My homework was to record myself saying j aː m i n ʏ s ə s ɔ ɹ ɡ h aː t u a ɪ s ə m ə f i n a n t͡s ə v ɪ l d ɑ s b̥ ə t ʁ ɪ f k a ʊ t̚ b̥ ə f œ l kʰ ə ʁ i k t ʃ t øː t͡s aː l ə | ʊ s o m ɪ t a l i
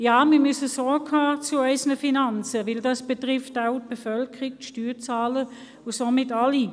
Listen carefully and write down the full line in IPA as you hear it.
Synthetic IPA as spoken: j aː m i m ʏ s ə s ɔ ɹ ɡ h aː t͡s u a ɪ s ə n ə f i n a n t͡s ə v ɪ l d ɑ s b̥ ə t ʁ ɪ f t a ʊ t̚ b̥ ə f œ l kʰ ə ʁ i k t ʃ t yː t͡s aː l ə | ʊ s o m ɪ t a l i